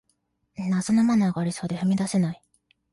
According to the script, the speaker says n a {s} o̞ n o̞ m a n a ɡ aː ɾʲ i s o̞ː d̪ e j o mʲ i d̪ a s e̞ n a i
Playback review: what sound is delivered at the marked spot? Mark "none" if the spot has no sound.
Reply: s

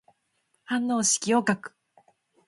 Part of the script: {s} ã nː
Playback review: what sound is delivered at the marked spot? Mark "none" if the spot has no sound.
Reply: h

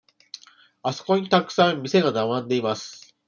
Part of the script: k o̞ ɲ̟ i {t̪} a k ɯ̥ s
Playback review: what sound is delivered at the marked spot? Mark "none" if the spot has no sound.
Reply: t̪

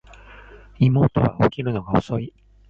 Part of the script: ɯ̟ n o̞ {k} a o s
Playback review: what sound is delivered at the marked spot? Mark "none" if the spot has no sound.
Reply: ɡ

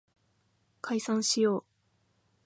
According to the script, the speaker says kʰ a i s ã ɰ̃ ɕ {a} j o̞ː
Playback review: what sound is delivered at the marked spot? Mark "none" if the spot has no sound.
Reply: i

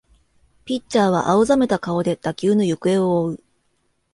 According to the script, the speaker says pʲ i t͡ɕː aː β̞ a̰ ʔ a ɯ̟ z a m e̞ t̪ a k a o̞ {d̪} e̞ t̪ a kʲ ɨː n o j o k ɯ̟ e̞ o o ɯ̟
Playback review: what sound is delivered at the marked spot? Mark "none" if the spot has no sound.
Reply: d̪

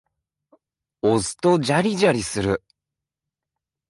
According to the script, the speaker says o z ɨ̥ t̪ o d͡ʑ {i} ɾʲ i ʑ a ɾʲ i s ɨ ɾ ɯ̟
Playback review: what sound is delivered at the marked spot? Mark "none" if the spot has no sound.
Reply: a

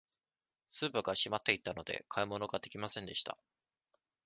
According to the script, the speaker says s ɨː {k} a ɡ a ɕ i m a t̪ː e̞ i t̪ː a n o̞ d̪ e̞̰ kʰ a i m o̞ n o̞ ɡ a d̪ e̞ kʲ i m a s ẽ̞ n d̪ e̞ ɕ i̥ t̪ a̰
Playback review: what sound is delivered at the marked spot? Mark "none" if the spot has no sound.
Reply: p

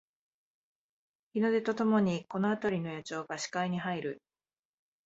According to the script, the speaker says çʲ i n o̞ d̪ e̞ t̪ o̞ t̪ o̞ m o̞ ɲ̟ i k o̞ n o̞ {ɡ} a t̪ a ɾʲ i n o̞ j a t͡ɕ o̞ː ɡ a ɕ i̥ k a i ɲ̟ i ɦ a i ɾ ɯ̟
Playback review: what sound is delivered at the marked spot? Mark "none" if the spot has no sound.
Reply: none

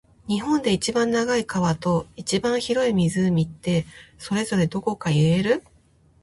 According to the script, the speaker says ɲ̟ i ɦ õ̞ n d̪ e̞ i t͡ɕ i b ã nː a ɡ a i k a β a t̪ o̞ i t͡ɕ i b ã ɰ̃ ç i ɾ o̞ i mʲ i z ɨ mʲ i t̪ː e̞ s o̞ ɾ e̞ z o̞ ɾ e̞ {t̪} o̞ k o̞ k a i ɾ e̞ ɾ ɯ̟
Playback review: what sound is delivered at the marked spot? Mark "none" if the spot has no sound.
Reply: d̪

